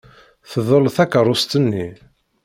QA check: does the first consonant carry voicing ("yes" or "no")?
no